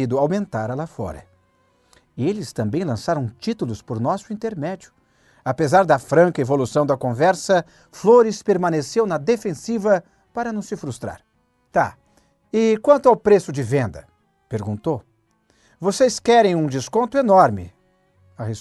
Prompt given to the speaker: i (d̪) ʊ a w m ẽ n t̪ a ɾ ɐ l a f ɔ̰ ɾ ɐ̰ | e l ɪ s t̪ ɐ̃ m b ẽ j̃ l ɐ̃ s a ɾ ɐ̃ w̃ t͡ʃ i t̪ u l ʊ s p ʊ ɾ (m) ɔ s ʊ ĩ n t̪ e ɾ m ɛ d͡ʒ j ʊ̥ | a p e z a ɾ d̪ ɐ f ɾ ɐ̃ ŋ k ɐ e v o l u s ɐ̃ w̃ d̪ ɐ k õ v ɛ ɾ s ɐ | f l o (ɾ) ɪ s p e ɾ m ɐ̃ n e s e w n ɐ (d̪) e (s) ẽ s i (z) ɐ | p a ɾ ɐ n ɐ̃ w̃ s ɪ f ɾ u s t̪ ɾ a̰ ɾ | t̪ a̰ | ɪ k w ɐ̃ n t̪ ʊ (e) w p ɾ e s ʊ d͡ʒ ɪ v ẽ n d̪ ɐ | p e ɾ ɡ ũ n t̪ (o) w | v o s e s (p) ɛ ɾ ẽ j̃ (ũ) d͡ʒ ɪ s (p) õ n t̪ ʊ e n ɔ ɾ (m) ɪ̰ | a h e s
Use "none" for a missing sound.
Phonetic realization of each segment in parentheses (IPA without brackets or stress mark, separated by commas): d̪, n, ɾ, d̪, f, v, a, o, k, ũ, k, m